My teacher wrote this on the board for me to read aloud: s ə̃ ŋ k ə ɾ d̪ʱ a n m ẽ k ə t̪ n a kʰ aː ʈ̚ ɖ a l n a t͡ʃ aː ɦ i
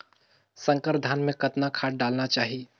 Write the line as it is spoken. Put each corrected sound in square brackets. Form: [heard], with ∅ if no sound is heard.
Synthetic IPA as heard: s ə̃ ŋ k ə ɾ d̪ʱ a n m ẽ k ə t̪ n a kʰ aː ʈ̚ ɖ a l n a t͡ʃ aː ɦ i

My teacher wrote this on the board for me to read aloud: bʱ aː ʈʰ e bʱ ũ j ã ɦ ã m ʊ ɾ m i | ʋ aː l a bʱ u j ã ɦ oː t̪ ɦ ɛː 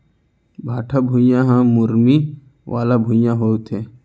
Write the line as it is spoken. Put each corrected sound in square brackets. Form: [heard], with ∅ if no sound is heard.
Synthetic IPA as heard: bʱ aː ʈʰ [a] bʱ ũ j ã ɦ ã m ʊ ɾ m i | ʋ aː l a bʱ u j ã ɦ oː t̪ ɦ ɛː

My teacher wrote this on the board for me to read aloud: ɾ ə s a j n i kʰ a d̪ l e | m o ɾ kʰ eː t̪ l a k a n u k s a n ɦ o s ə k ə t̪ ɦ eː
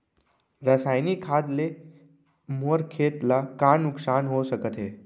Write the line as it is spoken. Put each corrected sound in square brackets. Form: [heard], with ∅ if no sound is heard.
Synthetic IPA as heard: ɾ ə s a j n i kʰ a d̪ l e | m o ɾ kʰ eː t̪ l a k a n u k s a n ɦ o s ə k ə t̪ ɦ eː

